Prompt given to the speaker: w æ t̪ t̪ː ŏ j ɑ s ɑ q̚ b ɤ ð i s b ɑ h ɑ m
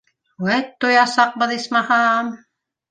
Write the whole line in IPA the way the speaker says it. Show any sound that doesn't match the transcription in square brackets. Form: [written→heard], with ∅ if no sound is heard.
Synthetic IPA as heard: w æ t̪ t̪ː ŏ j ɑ s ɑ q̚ b ɤ ð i s [b→m] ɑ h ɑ m